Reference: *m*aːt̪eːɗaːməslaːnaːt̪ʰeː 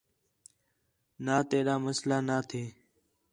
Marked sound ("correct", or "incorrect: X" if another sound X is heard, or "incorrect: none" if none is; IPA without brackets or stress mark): incorrect: n